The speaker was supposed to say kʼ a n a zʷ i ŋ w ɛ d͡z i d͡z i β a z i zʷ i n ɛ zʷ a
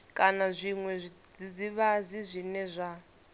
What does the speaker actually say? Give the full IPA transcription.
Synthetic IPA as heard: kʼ a n a zʷ i ŋ w ɛ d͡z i d͡z i β a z i zʷ i n ɛ zʷ a